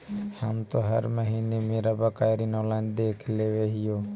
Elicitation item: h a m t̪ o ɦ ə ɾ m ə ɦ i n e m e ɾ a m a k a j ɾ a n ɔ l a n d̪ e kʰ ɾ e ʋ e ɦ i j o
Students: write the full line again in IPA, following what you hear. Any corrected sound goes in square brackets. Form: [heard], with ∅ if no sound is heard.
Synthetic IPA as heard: h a m t̪ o ɦ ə ɾ m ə ɦ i n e m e ɾ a [b] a k a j ɾ [i] n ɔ l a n d̪ e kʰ [l] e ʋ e ɦ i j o

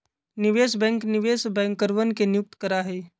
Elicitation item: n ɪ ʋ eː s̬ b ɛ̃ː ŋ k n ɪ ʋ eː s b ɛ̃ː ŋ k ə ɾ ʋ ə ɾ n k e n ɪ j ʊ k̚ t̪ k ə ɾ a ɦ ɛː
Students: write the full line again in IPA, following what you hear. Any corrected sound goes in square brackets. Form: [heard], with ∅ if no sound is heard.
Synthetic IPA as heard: n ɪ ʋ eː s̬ b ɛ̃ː ŋ k n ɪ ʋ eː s b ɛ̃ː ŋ k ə ɾ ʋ ə [∅] n k e n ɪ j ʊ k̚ t̪ k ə ɾ a ɦ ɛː

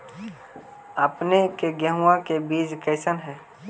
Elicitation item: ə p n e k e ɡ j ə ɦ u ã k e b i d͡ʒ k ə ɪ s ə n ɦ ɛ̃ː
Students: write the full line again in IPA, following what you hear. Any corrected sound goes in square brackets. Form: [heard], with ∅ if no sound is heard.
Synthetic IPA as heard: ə p n e k e ɡ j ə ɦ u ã k e b [iː] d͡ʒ k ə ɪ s ə n ɦ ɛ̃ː

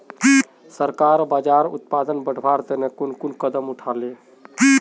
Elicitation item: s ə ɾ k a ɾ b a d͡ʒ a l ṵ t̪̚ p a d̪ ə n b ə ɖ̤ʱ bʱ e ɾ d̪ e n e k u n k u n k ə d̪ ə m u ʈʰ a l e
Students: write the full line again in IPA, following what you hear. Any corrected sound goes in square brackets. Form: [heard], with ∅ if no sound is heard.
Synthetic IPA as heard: s ə ɾ k a ɾ b a d͡ʒ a [ɾ] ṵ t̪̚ p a d̪ ə n b ə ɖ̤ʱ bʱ [a] ɾ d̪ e n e k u n k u n k ə d̪ ə m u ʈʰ a l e

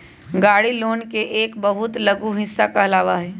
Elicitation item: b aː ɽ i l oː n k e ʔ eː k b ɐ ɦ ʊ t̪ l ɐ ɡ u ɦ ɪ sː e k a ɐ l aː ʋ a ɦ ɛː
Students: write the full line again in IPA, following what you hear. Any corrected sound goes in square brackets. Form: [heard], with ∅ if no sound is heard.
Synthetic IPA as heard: [ɡ] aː ɽ i l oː n k e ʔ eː k b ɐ ɦ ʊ t̪ l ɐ ɡ u ɦ ɪ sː [a] k a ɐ l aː ʋ a ɦ ɛː

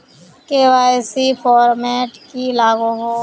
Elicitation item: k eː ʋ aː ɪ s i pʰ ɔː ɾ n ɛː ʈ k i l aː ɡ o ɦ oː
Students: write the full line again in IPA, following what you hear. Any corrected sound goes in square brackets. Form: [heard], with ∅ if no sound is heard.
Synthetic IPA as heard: k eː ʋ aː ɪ s i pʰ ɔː ɾ [m] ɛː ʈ k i l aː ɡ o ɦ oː

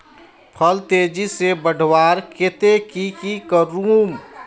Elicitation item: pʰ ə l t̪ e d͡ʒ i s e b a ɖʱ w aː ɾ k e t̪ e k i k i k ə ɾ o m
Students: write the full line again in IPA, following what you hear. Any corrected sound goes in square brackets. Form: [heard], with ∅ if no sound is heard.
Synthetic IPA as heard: pʰ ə l t̪ e d͡ʒ i s e b [ə] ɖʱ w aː ɾ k e t̪ e k i k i k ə ɾ [u] m

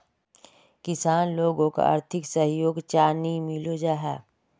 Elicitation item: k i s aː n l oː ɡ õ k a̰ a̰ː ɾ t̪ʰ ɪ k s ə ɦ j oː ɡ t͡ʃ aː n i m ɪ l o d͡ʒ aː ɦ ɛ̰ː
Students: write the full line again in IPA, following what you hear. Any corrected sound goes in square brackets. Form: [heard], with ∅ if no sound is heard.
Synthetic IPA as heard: k [ɪ] s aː n l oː ɡ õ k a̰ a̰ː ɾ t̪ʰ ɪ k s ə ɦ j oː ɡ t͡ʃ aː n i m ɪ l o d͡ʒ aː ɦ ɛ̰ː

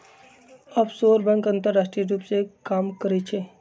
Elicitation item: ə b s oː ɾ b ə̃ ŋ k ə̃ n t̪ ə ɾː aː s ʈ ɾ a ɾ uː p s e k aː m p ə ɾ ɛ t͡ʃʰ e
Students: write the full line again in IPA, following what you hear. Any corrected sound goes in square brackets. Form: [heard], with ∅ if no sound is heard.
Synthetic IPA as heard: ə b s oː ɾ b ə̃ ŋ k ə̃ n t̪ ə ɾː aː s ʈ ɾ [i] ɾ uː p s e k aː m [k] ə ɾ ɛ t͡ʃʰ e

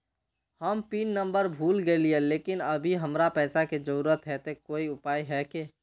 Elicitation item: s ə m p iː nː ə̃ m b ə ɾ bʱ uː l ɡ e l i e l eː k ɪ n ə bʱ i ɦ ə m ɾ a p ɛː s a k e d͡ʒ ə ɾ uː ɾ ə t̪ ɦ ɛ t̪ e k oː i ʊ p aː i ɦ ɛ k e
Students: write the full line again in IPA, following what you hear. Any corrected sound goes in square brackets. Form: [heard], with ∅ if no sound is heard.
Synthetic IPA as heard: [h] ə m p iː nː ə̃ m b ə ɾ bʱ uː l ɡ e l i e l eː k ɪ n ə bʱ i ɦ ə m ɾ a p ɛː s a k e d͡ʒ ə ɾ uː ɾ ə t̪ ɦ ɛ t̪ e k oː i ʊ p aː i ɦ ɛ k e

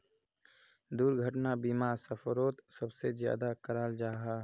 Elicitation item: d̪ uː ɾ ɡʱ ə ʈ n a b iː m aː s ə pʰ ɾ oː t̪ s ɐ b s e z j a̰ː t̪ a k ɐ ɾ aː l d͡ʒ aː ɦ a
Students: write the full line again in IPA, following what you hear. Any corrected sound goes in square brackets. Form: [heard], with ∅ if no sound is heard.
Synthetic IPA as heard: d̪ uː ɾ ɡʱ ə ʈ n a b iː m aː s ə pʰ ɾ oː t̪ s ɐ b s e z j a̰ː [d̪] a k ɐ ɾ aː l d͡ʒ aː ɦ a

